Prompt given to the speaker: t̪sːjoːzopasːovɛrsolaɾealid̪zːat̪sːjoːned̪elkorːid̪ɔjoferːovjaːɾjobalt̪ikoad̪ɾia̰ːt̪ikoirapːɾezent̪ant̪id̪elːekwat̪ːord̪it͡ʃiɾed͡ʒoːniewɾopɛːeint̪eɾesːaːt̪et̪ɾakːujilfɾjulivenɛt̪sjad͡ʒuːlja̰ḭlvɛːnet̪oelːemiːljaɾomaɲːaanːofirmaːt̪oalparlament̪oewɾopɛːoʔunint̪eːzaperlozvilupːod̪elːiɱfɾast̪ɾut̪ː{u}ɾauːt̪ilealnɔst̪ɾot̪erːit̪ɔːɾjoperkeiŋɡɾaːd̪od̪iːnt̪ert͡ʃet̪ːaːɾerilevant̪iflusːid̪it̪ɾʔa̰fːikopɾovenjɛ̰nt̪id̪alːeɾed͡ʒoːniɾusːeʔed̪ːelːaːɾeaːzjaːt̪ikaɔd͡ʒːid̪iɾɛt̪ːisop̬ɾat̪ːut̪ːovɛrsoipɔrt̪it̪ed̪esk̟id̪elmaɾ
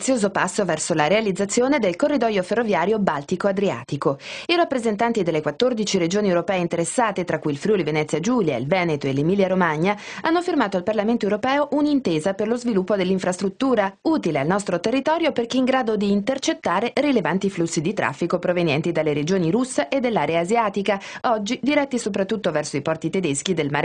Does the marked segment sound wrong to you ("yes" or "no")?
yes